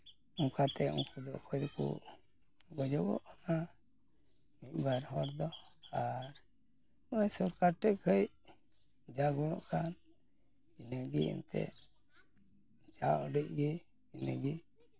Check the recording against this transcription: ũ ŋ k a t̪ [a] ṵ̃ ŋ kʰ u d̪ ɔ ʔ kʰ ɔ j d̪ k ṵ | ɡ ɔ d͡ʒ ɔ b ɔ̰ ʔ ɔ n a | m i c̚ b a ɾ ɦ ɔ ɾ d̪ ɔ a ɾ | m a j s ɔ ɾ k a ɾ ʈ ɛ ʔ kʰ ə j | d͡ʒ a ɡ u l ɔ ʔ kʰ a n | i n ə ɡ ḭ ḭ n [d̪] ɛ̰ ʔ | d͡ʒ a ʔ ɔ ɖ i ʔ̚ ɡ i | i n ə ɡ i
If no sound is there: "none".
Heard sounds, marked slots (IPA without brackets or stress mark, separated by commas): ɛ, t̪